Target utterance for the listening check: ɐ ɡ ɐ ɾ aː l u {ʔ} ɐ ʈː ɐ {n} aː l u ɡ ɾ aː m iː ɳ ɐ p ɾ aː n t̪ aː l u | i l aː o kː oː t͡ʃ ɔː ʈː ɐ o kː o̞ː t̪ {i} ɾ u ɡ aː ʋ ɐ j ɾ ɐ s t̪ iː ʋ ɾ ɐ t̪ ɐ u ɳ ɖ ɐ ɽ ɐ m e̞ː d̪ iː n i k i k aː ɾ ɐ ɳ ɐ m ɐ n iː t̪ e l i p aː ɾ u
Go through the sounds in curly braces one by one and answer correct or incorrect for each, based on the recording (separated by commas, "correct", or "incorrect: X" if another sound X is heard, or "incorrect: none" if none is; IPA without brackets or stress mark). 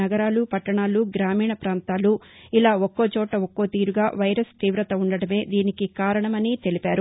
incorrect: p, incorrect: ɳ, incorrect: iː